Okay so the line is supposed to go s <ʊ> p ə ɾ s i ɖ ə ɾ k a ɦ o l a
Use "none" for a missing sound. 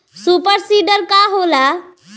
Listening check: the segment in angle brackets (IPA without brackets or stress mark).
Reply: u